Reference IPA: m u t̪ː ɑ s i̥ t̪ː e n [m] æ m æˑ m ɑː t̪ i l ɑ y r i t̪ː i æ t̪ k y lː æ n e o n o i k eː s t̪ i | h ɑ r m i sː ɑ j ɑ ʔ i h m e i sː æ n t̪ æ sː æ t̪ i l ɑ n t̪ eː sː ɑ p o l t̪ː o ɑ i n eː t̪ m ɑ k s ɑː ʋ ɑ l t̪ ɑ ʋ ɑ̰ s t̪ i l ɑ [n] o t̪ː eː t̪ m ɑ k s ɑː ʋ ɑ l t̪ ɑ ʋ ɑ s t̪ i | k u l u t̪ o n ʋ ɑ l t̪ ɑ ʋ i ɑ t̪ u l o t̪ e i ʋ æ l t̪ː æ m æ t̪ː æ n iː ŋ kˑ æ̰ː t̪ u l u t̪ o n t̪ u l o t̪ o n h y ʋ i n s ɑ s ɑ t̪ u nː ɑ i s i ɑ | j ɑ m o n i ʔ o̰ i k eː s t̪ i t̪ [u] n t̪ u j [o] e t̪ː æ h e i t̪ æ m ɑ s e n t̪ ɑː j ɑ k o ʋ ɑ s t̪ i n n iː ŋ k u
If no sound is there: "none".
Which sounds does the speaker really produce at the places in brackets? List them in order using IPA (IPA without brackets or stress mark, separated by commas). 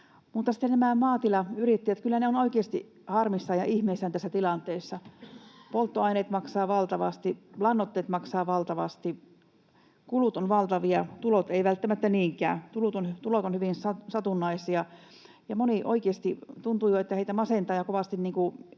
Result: n, nː, u, o